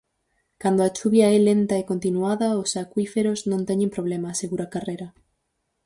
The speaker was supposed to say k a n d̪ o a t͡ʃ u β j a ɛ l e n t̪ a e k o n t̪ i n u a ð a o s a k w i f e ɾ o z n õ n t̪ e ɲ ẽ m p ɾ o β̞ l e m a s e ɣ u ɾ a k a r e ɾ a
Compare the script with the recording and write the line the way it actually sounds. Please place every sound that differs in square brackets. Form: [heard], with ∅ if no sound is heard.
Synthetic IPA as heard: k a n d̪ o a t͡ʃ u β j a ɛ l e n t̪ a e k o n t̪ i n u a ð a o s a k w i f e ɾ o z n õ n t̪ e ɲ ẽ m p ɾ o β̞ l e m a s e ɣ u ɾ a k a r e ɾ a